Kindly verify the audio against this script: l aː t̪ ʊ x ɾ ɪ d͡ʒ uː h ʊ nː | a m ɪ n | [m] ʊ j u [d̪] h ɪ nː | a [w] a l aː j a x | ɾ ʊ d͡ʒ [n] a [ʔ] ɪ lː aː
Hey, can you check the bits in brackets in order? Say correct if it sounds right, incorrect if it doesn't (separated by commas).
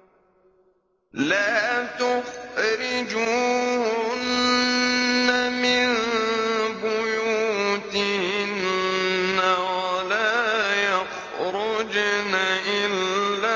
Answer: incorrect, incorrect, correct, correct, correct